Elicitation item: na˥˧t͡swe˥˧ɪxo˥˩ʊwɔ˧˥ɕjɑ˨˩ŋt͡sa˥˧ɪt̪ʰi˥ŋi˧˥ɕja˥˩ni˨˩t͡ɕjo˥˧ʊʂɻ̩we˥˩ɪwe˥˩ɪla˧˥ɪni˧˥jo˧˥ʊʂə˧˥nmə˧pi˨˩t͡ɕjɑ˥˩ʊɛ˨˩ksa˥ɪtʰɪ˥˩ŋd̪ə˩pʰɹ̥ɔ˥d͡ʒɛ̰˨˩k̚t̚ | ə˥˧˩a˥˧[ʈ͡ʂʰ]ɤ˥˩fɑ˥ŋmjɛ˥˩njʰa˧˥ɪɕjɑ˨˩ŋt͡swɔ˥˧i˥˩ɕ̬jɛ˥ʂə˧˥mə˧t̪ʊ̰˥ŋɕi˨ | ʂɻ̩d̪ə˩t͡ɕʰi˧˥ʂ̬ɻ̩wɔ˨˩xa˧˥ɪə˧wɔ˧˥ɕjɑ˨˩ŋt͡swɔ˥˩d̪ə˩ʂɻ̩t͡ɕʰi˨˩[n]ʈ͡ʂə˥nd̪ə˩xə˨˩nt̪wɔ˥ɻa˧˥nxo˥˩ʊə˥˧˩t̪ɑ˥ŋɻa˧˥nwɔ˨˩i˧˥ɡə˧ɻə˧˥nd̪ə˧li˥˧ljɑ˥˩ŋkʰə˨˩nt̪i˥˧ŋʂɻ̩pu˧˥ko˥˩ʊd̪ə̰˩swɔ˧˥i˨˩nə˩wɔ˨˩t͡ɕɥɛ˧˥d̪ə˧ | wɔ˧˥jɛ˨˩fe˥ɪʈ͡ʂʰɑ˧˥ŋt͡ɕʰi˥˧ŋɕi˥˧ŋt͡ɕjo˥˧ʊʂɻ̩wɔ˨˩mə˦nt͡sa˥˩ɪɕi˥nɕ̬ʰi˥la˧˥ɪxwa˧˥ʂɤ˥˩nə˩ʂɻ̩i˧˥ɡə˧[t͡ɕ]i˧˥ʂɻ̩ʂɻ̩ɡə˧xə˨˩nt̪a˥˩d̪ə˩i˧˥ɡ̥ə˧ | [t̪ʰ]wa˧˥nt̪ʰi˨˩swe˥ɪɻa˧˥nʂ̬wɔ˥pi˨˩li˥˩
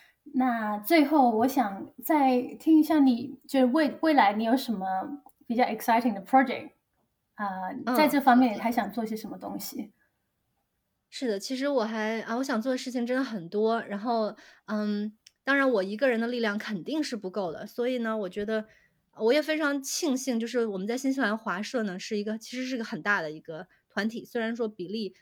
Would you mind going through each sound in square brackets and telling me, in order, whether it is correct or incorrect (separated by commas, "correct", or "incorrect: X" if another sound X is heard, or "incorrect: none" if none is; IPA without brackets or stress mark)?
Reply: incorrect: ʈ͡ʂ, incorrect: ŋ, incorrect: t͡ɕʰ, correct